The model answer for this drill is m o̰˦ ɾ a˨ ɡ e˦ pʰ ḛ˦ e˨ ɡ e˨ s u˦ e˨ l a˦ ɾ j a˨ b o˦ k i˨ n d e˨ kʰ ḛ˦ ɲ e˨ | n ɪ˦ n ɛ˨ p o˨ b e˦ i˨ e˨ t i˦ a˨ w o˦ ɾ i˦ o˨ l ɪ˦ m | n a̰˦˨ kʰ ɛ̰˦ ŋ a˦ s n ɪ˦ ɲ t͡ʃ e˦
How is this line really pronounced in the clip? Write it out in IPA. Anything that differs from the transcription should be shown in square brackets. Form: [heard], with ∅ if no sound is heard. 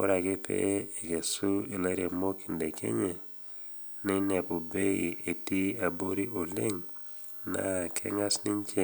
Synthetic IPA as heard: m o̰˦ ɾ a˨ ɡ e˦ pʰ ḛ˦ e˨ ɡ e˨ s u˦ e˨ l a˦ ɾ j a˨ [m] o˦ k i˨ n d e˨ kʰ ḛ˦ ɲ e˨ | n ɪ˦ n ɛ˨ p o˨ b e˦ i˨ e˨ t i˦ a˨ [b] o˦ ɾ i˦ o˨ l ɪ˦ [ŋ] | n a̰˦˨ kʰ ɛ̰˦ ŋ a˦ s n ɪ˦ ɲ t͡ʃ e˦

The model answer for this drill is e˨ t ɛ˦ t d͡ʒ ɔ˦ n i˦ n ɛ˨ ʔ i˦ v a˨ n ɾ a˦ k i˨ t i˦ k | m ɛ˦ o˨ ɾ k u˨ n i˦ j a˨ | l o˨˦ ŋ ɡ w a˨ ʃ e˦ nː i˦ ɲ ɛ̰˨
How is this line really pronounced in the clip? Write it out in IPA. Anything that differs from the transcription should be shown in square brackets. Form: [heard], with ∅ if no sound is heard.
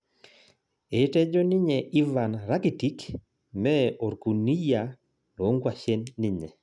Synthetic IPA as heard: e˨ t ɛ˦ [∅] d͡ʒ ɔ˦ n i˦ [ɲ] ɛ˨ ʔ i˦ v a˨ n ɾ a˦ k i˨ t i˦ k | m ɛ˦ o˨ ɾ k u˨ n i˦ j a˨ | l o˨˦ ŋ ɡ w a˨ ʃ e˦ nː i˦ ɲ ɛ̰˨

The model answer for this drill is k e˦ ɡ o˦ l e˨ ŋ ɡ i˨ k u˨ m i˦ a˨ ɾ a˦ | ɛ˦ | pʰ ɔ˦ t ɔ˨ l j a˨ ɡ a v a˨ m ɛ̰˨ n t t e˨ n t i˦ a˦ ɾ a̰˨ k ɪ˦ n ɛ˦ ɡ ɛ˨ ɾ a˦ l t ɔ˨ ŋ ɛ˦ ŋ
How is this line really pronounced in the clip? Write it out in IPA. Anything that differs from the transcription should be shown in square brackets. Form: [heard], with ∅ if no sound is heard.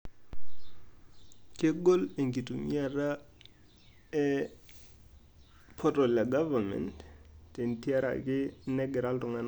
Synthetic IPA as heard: k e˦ ɡ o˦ l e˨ ŋ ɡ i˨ [t] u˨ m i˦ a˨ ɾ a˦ | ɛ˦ | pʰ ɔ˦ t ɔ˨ l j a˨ ɡ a v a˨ m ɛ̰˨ n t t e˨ n t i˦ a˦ ɾ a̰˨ k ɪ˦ n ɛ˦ ɡ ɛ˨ ɾ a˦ l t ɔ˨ ŋ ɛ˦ [n]

